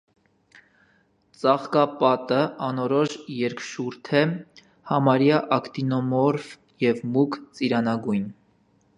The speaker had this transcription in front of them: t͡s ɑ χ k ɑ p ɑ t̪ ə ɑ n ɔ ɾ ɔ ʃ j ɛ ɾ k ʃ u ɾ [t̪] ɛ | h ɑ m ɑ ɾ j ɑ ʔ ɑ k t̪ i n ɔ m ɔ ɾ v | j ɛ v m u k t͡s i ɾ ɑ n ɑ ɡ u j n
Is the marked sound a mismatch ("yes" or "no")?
yes